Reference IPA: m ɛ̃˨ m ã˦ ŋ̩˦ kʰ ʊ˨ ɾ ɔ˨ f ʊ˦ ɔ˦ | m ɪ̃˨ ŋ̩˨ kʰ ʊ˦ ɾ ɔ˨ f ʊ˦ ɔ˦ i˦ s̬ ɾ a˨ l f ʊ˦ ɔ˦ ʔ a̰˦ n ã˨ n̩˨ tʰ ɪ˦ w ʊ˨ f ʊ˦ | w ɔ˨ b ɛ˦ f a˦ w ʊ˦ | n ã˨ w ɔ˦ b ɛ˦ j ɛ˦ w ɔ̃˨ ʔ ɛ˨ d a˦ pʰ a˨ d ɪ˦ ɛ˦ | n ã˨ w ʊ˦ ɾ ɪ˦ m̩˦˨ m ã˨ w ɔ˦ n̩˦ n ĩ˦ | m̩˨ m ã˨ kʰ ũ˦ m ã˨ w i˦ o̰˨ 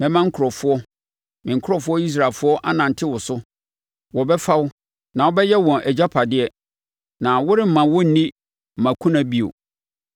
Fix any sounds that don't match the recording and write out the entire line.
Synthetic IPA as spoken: m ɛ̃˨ m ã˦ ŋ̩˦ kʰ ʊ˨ ɾ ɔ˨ f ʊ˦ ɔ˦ | m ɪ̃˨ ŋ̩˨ kʰ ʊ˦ ɾ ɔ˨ f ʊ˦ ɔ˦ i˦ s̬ ɾ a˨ l f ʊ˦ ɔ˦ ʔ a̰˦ n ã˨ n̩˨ tʰ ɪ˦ w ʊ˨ s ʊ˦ | w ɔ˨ b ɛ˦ f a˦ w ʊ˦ | n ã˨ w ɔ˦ b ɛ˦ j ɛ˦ w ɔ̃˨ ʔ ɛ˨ d͡ʑ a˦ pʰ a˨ d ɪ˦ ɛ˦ | n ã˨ w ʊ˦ ɾ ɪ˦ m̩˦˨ m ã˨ w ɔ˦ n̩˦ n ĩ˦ | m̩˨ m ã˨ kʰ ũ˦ n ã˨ b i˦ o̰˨